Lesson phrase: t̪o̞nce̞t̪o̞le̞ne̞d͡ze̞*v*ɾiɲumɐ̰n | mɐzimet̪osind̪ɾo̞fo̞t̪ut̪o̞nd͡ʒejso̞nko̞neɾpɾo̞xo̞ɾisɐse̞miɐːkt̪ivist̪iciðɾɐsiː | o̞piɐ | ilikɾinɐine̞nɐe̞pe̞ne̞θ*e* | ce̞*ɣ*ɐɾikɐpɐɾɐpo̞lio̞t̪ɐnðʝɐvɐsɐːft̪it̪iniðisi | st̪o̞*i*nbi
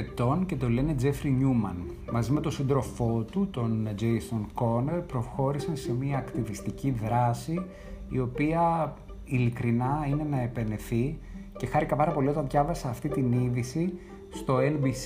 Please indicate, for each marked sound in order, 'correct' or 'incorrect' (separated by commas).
incorrect, incorrect, incorrect, incorrect